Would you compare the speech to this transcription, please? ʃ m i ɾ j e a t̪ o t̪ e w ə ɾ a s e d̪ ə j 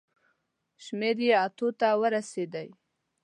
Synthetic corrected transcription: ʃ m e ɾ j e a t̪ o t̪ a w ə ɾ a s e d̪ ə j